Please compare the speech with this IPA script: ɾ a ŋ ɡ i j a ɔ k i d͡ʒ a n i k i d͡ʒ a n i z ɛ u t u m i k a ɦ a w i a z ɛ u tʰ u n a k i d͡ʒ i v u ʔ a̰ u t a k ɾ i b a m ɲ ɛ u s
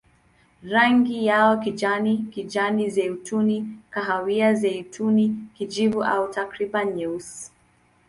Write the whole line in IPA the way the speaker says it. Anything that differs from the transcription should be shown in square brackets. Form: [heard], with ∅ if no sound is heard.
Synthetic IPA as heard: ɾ a ŋ ɡ i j a ɔ k i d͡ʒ a n i k i d͡ʒ a n i z ɛ u t u [n] i k a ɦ a w i a z ɛ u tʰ u n [i] k i d͡ʒ i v u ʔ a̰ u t a k ɾ i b a [n] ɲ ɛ u s